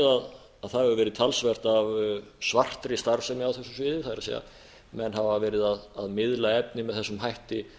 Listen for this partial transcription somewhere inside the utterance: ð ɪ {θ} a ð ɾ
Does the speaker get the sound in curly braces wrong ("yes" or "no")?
no